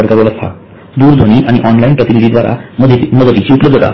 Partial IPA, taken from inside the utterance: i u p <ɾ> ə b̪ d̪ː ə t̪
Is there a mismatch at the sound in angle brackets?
yes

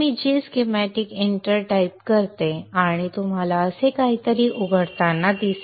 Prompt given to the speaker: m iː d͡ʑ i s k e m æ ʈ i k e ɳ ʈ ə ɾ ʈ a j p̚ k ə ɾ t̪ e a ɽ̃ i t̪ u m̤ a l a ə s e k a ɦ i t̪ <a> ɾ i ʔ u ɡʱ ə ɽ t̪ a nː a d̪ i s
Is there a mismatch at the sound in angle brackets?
yes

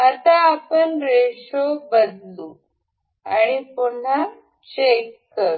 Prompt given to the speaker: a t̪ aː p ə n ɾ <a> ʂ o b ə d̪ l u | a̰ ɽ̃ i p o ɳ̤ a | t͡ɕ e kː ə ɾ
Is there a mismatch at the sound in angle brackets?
yes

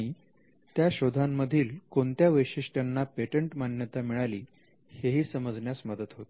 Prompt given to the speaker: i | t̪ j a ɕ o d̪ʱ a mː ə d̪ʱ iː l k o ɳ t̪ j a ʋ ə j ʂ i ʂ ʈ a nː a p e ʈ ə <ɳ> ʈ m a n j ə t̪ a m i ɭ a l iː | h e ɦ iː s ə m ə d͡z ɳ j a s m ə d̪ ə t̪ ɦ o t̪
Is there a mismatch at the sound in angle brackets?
no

